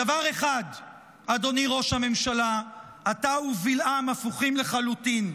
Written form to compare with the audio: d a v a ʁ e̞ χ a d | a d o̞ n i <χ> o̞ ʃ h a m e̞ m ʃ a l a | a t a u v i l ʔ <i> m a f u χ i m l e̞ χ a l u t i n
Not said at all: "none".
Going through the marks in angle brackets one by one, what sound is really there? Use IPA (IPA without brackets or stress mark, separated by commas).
ʁ, a